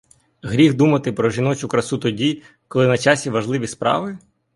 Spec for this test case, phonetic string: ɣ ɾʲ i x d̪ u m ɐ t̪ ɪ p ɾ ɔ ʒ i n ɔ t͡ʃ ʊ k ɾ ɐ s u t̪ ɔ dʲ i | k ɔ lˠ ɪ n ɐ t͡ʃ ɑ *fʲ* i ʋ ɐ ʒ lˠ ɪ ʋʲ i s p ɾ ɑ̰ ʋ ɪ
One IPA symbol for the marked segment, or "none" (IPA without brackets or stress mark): sʲ